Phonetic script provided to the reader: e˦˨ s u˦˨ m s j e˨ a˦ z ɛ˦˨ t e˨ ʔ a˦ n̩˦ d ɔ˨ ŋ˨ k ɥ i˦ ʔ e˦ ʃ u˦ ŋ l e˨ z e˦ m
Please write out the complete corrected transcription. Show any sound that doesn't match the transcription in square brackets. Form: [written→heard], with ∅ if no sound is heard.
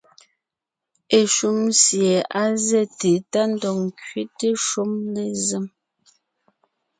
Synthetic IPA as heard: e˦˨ [s→ʃ] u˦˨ m s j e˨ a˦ z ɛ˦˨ t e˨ [ʔ→t] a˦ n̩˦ d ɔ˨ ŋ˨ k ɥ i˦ [ʔ→t] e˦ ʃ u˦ [ŋ→m] l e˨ z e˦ m